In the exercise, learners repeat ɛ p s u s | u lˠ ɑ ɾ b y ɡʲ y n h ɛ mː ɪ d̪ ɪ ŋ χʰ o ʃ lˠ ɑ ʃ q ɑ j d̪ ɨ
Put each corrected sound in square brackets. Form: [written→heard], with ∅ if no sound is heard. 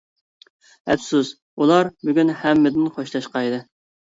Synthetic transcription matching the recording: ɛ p s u s | u lˠ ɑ ɾ b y ɡʲ y n h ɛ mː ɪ d̪ ɪ [ŋ→n] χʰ o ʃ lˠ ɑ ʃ q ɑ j d̪ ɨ

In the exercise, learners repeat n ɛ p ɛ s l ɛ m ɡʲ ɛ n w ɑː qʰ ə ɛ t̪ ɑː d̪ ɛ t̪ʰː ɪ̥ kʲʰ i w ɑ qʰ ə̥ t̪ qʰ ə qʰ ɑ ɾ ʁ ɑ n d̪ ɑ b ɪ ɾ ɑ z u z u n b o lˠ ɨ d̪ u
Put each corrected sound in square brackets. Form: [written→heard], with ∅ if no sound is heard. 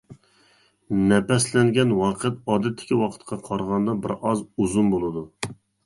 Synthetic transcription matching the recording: n ɛ p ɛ s l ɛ [m→ŋ] ɡʲ ɛ n w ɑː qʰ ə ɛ t̪ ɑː d̪ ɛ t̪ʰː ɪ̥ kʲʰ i w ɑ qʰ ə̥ t̪ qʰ [ə→ɑ] qʰ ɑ ɾ ʁ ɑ n d̪ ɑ b ɪ ɾ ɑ z u z u n b o lˠ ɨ d̪ u

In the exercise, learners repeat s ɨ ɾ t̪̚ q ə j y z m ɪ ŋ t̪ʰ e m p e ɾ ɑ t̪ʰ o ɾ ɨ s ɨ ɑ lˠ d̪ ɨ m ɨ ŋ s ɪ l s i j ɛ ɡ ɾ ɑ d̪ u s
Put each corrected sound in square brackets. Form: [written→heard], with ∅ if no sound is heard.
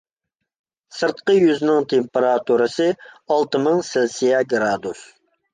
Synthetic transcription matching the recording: s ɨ ɾ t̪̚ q ə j y z [m→n] ɪ ŋ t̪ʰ e m p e ɾ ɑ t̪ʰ [o→u] ɾ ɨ s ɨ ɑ lˠ [d̪→t̪] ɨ m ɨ ŋ s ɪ l s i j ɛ ɡ ɾ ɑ d̪ u s

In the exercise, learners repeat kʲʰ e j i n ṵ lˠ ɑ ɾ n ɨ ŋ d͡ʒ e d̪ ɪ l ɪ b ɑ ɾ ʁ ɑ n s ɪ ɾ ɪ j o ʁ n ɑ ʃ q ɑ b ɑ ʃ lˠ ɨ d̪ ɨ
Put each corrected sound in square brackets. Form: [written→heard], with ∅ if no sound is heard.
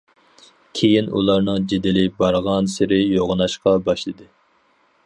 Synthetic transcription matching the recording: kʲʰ e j i n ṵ lˠ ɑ ɾ n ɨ ŋ d͡ʒ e d̪ ɪ l ɪ b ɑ ɾ ʁ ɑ n s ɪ ɾ ɪ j o ʁ n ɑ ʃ q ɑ b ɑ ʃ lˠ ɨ d̪ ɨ

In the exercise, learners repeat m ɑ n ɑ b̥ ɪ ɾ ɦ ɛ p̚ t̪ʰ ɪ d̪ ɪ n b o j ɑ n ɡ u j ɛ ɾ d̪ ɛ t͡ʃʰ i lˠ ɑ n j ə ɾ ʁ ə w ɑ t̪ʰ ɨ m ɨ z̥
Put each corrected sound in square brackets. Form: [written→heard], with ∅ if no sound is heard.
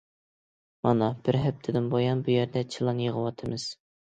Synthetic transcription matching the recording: m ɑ n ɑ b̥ ɪ ɾ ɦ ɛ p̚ t̪ʰ ɪ d̪ ɪ n b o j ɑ n [ɡ→b] u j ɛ ɾ d̪ ɛ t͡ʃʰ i lˠ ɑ n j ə [ɾ→∅] ʁ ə w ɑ t̪ʰ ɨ m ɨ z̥

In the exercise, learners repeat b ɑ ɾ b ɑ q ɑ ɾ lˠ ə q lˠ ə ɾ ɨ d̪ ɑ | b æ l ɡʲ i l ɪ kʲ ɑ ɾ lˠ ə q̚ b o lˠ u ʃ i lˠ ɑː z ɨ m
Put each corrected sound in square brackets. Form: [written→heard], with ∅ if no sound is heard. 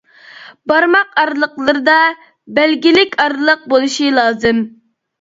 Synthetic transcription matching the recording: b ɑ ɾ [b→m] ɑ q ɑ ɾ lˠ ə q lˠ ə ɾ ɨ d̪ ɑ | b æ l ɡʲ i l ɪ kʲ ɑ ɾ lˠ ə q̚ b o lˠ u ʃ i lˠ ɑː z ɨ m

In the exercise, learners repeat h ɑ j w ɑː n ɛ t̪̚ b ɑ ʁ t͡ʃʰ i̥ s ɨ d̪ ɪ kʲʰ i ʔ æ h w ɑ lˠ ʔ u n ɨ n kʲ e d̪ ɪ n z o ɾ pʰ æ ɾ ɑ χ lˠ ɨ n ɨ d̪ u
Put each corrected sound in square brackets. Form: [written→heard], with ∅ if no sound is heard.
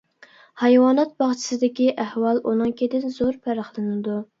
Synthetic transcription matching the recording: h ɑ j w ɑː n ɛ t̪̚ b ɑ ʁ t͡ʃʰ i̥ s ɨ d̪ ɪ [kʲʰ→kʲ] i ʔ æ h w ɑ lˠ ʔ u n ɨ [n→ŋ] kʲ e d̪ ɪ n z o ɾ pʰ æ ɾ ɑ χ lˠ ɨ n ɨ d̪ u

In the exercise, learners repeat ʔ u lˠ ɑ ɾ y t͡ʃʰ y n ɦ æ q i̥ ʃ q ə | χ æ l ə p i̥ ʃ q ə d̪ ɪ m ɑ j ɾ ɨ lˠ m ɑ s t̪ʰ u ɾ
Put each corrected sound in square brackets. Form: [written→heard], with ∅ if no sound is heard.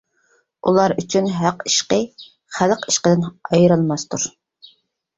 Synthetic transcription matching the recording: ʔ u lˠ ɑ ɾ y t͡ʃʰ y n ɦ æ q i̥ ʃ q ə | χ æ l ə [p→q] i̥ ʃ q ə d̪ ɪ [m→n] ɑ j ɾ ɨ lˠ m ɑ s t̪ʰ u ɾ

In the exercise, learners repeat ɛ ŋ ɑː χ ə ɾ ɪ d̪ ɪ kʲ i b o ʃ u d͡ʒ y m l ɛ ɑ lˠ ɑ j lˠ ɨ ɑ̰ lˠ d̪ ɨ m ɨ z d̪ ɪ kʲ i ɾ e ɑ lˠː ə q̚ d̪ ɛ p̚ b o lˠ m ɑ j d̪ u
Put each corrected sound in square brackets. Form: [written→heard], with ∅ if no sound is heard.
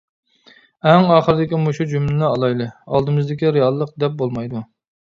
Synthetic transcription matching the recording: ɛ ŋ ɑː χ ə ɾ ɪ d̪ ɪ kʲ i [b→m] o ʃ u d͡ʒ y m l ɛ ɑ lˠ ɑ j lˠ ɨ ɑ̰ lˠ d̪ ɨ m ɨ z d̪ ɪ kʲ i ɾ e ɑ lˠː ə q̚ d̪ ɛ p̚ b o lˠ m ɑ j d̪ u

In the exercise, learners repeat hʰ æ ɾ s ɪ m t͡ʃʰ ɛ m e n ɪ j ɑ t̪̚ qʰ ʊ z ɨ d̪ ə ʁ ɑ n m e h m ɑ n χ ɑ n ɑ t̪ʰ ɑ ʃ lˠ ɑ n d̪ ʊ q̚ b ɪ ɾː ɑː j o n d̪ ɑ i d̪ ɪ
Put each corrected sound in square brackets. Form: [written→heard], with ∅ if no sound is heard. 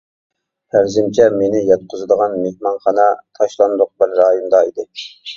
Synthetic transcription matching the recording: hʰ æ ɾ [s→z] ɪ m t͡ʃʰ ɛ m e n ɪ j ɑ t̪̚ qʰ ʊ z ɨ d̪ ə ʁ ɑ n m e h m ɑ n χ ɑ n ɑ t̪ʰ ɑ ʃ lˠ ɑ n d̪ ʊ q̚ b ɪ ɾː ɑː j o n d̪ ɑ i d̪ ɪ

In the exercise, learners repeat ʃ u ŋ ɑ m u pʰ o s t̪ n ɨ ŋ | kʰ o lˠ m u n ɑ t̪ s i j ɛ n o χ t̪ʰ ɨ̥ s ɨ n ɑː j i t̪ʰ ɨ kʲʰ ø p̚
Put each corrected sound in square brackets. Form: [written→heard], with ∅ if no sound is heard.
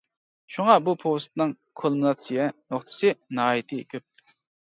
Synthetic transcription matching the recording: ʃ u ŋ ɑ [m→b] u pʰ o s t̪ n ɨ ŋ | kʰ o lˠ m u n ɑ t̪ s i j ɛ n o χ t̪ʰ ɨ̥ s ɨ n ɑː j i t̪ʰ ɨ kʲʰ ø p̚

